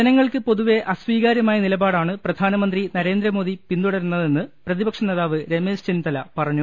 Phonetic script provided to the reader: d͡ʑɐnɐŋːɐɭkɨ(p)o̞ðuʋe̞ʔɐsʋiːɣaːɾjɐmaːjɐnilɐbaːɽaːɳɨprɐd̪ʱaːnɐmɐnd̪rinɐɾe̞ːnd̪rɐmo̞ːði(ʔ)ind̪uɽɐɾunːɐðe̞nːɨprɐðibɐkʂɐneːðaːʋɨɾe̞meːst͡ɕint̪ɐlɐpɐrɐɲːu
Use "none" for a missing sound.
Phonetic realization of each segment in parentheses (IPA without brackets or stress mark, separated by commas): p, p